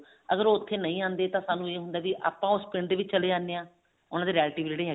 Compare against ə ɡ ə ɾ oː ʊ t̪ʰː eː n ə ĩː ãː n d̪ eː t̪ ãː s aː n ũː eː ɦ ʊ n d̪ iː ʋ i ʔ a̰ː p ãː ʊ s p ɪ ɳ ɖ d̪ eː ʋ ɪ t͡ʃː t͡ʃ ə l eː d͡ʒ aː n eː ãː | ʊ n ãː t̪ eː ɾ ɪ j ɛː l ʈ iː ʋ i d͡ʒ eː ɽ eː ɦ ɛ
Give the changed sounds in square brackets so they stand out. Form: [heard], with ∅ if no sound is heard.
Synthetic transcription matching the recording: ə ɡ ə ɾ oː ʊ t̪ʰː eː n ə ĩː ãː n d̪ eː t̪ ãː s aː n ũː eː ɦ ʊ n d̪ [aː] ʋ i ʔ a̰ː p ãː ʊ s p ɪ ɳ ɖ d̪ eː ʋ ɪ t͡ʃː t͡ʃ ə l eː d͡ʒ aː n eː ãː | ʊ n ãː [d̪] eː ɾ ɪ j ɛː l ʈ iː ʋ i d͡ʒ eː ɽ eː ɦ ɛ